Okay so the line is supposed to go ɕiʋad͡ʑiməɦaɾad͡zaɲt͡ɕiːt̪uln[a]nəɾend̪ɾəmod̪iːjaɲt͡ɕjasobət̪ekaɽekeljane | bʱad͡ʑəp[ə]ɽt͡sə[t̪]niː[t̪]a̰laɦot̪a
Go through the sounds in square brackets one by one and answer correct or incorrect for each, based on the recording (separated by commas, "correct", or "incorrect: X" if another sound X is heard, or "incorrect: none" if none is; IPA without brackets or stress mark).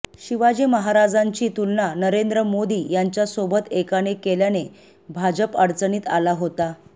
correct, correct, incorrect: none, correct